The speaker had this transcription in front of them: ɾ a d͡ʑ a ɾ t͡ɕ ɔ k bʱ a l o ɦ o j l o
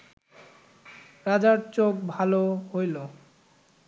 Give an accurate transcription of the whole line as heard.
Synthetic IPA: ɾ a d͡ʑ a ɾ t͡ɕ o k bʱ a l o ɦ o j l o